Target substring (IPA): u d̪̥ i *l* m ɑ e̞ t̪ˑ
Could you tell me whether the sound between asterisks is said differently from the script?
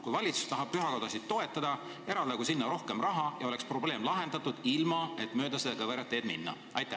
no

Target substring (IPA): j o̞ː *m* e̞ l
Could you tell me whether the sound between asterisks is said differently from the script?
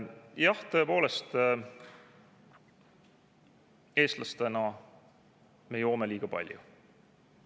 no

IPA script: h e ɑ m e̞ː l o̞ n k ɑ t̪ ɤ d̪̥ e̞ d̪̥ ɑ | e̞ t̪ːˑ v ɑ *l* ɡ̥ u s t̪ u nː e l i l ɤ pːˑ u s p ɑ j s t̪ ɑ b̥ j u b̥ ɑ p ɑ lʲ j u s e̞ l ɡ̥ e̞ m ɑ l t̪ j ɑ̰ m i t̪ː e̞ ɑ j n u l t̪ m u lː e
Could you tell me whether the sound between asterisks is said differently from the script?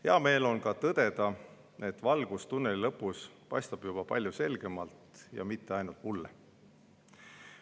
no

